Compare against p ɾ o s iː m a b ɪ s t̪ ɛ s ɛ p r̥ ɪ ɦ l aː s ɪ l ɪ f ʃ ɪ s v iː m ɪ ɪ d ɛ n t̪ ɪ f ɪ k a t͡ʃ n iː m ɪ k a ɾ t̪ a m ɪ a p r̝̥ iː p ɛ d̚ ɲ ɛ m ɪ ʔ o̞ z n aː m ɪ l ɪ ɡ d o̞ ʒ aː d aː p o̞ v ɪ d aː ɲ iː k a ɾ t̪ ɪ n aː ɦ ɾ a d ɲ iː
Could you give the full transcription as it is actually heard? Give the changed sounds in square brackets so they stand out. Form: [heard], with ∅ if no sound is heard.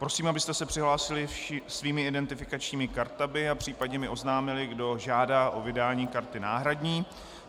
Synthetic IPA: p ɾ o s iː m a b ɪ s t̪ ɛ s ɛ p r̥ ɪ ɦ l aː s ɪ l ɪ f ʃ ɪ s v iː m ɪ ɪ d ɛ n t̪ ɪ f ɪ k a t͡ʃ [ɲ] iː m ɪ k a ɾ t̪ a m ɪ a p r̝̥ iː p [a] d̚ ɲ ɛ m ɪ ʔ o̞ z n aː m ɪ l ɪ ɡ d o̞ ʒ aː d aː [ʔ] o̞ v ɪ d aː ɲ iː k a ɾ t̪ ɪ n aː ɦ ɾ a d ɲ iː